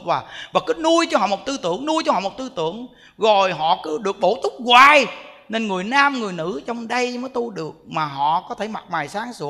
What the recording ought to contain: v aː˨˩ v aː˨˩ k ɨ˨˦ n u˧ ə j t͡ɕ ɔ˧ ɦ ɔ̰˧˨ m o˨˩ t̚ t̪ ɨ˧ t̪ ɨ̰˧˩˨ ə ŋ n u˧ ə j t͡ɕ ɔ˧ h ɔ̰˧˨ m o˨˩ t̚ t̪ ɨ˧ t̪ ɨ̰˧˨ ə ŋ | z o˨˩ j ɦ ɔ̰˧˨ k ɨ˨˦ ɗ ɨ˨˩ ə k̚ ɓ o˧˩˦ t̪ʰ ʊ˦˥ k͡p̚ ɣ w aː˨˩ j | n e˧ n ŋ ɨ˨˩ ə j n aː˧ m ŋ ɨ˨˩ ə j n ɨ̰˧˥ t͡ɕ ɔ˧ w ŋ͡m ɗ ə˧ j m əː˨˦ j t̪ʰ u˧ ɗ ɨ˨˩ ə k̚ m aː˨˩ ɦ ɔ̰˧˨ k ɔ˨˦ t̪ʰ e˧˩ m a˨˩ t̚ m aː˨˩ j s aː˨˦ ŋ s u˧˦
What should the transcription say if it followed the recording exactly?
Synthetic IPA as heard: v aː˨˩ v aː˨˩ k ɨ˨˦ n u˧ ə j t͡ɕ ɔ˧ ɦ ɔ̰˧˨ m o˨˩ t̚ t̪ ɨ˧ t̪ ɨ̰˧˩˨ ə ŋ n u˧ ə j t͡ɕ ɔ˧ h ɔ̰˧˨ m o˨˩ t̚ t̪ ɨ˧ t̪ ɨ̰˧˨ ə ŋ | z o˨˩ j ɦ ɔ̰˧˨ k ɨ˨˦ ɗ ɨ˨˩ ə k̚ ɓ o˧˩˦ t̪ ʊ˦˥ k͡p̚ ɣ w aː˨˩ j | n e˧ n ŋ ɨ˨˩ ə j n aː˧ m ŋ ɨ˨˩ ə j n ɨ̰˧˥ t͡ɕ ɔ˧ w ŋ͡m ɗ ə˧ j m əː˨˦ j t̪ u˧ ɗ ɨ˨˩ ə k̚ m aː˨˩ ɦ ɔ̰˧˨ k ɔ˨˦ t̪ʰ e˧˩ m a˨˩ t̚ m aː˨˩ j s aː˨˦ ŋ s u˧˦